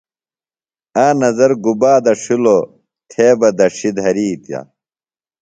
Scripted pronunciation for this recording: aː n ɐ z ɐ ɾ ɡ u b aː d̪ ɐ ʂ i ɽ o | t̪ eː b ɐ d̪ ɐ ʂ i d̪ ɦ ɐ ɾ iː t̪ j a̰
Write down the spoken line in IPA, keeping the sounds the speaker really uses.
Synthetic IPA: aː n ɐ z ɐ ɾ ɡ u b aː d̪ ɐ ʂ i l o | t̪ʰ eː b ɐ d̪ ɐ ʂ i d̪ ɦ ɐ ɾ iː t̪ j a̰